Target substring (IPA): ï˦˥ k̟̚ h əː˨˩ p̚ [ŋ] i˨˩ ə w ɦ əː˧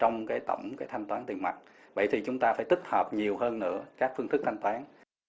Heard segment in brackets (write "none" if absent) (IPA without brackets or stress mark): ɲ